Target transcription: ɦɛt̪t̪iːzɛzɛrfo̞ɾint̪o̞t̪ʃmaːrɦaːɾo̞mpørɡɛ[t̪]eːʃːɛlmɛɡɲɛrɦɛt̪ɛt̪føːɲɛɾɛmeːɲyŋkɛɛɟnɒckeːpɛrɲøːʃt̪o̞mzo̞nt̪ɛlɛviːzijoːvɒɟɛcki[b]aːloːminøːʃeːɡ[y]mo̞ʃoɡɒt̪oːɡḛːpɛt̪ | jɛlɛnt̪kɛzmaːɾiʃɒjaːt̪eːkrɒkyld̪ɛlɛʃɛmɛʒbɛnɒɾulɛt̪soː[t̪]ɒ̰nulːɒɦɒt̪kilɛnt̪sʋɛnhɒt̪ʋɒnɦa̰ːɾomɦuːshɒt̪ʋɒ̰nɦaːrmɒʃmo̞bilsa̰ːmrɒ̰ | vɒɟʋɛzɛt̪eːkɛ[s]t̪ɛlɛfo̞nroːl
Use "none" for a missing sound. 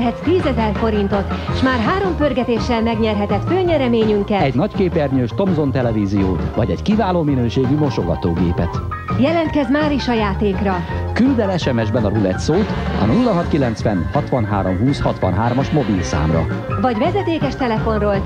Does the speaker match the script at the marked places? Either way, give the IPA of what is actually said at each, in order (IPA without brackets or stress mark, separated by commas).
t̪, v, y, t̪, ʃ